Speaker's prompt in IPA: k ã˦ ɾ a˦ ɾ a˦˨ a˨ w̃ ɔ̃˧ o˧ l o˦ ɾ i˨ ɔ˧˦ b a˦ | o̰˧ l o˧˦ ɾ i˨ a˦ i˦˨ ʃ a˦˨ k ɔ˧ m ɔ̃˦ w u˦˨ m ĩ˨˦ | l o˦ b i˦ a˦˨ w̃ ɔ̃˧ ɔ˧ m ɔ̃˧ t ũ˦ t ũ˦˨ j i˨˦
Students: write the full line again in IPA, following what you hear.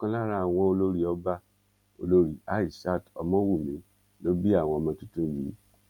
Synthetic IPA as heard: k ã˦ l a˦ ɾ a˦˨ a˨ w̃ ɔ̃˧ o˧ l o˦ ɾ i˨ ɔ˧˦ b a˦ | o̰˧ l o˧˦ ɾ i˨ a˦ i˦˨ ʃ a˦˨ t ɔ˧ m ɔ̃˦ w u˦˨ m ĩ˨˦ | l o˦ b i˦ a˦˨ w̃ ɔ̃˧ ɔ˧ m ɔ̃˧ t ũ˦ t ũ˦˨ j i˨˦